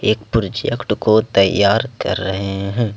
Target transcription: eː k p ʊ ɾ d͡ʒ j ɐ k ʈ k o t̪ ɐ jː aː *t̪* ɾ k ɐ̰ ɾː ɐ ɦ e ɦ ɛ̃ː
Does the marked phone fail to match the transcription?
yes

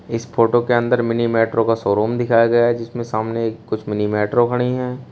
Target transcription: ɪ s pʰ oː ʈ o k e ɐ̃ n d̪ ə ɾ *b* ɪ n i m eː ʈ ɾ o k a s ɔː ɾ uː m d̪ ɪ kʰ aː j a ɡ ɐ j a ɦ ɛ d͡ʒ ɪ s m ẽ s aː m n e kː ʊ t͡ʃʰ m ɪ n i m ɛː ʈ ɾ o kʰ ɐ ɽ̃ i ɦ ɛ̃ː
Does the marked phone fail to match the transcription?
yes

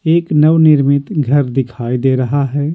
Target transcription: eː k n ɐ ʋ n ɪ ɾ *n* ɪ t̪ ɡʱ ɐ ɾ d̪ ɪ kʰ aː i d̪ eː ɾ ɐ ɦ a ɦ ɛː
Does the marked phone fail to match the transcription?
yes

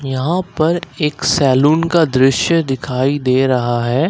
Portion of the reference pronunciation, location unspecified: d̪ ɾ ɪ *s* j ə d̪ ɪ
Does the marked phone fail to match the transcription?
yes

